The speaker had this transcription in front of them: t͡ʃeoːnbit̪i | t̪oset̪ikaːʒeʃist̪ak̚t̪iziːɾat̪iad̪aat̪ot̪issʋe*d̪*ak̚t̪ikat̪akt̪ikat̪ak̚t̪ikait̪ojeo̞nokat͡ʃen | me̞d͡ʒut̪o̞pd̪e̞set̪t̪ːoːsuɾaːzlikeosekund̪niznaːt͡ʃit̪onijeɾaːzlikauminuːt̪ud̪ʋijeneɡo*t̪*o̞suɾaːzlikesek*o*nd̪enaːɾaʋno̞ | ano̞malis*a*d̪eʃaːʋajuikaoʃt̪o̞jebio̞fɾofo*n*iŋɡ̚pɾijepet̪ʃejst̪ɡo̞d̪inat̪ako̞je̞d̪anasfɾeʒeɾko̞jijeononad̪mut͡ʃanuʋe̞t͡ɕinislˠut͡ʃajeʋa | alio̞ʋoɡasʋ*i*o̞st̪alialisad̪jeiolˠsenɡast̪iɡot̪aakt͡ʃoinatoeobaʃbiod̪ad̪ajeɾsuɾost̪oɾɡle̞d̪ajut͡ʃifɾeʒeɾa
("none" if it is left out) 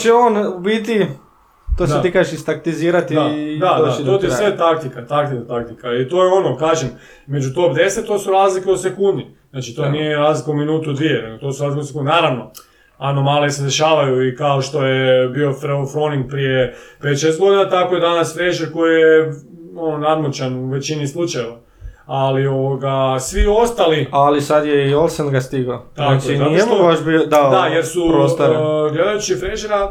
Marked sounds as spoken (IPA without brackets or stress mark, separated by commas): t̪, t̪, u, e, n, i